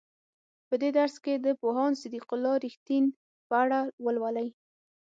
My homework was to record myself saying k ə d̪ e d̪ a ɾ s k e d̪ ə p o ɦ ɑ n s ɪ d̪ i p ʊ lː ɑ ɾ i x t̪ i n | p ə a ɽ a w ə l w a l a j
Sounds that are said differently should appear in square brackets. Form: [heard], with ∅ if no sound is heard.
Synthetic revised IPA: [p] ə d̪ e d̪ a ɾ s k e d̪ ə p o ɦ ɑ n s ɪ d̪ i [q] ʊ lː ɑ ɾ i x t̪ i n | p ə a ɽ a w ə l w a l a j